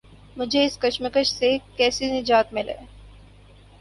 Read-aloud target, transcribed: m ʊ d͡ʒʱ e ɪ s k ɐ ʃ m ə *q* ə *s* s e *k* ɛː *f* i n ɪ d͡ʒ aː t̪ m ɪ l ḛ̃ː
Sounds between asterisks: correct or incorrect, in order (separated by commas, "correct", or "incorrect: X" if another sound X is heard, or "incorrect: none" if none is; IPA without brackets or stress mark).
incorrect: k, incorrect: ʃ, correct, incorrect: s